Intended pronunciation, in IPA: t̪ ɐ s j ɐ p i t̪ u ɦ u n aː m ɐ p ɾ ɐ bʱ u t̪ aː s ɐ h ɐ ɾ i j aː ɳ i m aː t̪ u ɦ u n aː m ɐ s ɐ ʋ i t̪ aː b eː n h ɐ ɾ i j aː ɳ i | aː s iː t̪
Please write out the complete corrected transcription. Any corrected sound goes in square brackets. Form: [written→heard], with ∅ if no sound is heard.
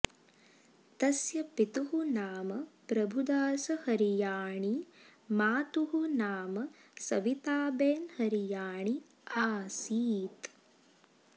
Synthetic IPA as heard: t̪ ɐ s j ɐ p i t̪ u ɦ u n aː m ɐ p ɾ ɐ bʱ u [t̪→d̪] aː s ɐ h ɐ ɾ i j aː ɳ i m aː t̪ u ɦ u n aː m ɐ s ɐ ʋ i t̪ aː b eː n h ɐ ɾ i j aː ɳ i | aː s iː t̪